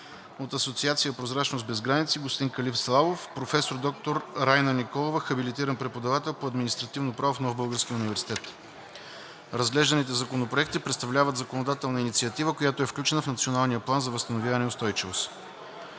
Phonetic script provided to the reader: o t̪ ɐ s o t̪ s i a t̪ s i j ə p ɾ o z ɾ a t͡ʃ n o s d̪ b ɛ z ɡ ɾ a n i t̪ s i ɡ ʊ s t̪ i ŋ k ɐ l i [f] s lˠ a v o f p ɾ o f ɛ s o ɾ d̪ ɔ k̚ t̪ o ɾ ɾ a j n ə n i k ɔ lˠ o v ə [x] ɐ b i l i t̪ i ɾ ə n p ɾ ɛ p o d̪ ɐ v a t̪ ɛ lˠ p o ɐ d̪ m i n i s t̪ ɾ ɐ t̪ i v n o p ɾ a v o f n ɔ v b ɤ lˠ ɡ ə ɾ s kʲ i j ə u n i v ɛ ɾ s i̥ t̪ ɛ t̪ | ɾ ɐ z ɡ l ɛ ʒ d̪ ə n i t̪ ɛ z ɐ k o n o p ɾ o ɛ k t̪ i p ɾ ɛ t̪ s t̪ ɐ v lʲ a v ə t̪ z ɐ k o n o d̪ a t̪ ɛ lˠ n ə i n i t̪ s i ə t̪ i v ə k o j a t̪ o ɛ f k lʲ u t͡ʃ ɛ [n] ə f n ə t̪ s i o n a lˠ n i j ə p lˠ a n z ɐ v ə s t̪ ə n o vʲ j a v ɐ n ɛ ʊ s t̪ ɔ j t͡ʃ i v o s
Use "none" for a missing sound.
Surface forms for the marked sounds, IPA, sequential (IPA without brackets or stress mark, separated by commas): f, x, n